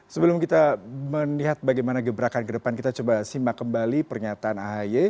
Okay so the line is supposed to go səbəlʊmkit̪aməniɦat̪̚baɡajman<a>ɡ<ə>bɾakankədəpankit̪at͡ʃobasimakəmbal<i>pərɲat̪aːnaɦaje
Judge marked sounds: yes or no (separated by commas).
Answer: yes, yes, yes